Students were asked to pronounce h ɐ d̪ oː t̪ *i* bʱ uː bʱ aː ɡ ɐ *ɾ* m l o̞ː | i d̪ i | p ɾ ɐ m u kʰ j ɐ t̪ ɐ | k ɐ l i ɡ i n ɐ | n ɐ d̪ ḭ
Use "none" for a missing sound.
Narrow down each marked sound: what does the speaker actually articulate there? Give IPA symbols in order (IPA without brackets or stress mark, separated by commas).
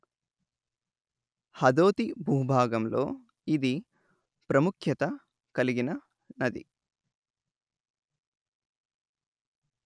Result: i, none